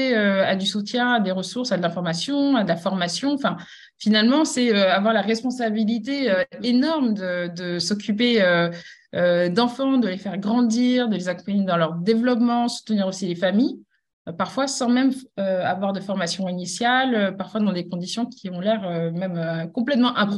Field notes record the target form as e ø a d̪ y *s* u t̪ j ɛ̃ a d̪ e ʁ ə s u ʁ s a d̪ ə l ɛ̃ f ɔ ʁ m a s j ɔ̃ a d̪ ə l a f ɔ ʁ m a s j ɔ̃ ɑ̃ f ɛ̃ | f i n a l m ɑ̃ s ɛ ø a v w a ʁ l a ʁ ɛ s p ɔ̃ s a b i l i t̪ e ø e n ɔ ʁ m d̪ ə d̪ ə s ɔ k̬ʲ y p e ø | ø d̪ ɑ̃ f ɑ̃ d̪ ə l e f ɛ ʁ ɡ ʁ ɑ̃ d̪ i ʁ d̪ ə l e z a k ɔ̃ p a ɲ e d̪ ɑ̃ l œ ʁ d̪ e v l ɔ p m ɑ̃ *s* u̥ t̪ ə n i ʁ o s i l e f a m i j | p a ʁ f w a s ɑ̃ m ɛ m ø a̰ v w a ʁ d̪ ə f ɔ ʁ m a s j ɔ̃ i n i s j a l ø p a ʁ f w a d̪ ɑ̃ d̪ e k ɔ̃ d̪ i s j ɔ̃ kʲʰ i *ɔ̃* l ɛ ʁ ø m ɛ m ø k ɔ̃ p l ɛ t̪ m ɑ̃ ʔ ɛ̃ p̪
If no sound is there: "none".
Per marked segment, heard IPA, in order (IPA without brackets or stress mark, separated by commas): s, s, ɔ̃